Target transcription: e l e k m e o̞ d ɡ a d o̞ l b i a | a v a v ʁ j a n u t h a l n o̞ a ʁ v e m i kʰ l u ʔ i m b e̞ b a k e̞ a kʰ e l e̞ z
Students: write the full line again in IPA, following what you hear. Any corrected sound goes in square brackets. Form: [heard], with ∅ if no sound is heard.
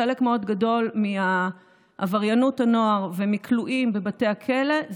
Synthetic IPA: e l e k m e o̞ d ɡ a d o̞ l [m] i a | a v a [∅] ʁ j a n u t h a [∅] n o̞ a ʁ v e m i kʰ l u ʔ i m b e̞ b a [t] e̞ a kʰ e l e̞ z